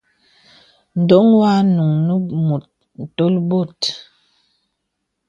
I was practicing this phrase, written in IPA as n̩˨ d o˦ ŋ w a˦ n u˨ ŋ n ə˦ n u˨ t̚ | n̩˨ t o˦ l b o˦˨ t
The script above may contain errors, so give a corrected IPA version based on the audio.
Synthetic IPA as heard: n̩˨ d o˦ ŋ w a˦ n u˨ ŋ n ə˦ m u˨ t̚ | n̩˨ t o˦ l b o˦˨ t